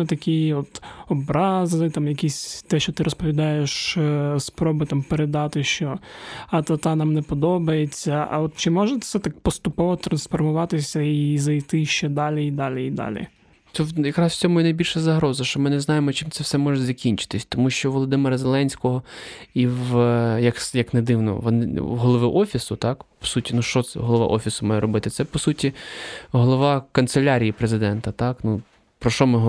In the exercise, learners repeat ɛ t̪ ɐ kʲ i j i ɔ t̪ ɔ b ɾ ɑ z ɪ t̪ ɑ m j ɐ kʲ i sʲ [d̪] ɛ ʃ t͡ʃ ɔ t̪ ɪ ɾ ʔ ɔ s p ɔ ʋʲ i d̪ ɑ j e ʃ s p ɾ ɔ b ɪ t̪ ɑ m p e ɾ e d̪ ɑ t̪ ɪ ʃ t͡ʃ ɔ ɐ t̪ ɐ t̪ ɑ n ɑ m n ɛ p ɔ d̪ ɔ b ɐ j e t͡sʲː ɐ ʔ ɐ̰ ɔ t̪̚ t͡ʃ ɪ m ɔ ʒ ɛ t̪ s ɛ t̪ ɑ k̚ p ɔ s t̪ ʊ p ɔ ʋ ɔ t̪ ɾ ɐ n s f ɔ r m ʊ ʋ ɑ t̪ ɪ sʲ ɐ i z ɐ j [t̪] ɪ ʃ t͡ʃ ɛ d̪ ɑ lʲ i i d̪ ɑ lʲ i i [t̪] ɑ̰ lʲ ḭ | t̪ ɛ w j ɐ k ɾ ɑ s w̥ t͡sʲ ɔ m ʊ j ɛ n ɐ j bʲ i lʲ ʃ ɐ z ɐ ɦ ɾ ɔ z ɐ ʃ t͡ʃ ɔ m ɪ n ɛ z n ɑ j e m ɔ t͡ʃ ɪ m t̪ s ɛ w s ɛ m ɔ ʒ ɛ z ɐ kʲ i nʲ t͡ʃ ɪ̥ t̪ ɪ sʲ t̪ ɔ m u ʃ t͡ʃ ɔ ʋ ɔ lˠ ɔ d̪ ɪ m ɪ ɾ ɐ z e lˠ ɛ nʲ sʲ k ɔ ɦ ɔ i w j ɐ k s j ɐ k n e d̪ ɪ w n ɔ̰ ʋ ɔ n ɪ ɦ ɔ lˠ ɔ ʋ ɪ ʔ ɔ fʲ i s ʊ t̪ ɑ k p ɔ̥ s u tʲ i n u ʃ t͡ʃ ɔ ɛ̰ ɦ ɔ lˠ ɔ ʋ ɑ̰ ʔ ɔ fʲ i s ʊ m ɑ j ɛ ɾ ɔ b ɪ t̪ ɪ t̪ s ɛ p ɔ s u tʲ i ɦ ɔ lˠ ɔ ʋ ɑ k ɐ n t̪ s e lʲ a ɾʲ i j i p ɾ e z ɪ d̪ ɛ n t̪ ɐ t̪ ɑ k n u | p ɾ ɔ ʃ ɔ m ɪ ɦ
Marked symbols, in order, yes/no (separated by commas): no, yes, no